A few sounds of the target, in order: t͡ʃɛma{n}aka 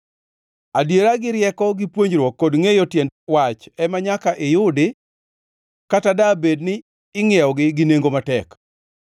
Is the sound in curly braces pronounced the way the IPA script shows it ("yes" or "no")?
no